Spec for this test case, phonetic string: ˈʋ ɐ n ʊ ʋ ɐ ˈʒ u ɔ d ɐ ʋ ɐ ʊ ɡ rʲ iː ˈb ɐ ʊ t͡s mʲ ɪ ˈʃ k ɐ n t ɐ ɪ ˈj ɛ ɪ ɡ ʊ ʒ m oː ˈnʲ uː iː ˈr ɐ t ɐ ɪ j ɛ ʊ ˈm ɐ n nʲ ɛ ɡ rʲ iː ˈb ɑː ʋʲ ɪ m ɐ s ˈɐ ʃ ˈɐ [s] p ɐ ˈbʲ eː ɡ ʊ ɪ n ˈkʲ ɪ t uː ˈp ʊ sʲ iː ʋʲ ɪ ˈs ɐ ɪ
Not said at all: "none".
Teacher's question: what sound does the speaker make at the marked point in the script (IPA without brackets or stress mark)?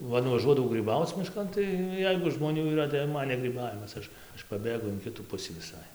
ʃ